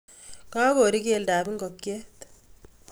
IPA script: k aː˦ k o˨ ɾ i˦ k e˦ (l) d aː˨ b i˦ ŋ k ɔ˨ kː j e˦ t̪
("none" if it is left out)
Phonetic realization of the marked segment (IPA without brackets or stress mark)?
l